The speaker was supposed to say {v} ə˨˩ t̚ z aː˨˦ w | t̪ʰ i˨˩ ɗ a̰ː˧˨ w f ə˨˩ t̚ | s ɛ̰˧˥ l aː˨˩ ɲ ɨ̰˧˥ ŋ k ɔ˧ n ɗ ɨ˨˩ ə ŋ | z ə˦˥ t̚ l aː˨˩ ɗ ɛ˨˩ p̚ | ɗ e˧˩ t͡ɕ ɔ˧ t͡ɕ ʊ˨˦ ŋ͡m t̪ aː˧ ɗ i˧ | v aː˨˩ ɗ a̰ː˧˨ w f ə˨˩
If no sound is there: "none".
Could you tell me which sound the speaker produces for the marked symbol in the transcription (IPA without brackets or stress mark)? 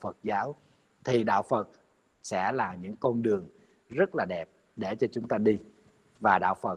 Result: f